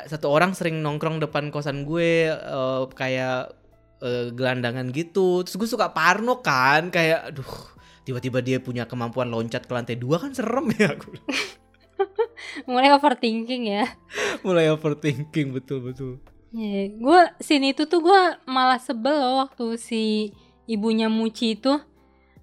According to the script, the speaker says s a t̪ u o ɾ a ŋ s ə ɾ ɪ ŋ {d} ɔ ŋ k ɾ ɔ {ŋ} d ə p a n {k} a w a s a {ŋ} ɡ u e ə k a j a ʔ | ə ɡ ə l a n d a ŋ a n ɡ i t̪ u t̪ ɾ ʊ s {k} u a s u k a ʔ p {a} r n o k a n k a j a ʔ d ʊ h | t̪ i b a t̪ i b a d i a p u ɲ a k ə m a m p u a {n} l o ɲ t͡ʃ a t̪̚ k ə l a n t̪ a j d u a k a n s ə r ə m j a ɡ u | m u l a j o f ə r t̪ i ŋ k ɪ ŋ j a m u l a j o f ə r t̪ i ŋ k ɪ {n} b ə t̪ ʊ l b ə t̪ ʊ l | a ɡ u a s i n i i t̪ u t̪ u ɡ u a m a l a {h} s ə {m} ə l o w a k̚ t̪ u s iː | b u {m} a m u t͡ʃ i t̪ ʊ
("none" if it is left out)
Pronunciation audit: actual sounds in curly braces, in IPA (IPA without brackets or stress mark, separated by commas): n, ŋ, k, n, ɡ, a, n, ŋ, h, b, ɲ